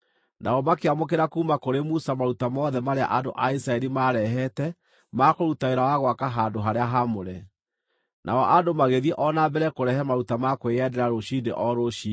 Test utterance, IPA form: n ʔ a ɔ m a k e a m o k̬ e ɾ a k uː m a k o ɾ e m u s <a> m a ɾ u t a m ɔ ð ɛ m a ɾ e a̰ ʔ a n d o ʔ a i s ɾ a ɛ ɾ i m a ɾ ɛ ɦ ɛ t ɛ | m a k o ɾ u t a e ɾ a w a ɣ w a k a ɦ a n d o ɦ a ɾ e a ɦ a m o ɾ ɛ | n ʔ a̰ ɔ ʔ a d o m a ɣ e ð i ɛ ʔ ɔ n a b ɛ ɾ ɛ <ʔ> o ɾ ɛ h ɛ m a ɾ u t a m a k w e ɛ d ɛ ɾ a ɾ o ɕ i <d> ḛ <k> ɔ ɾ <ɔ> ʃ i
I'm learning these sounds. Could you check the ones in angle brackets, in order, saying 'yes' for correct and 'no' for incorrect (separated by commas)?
yes, no, yes, no, no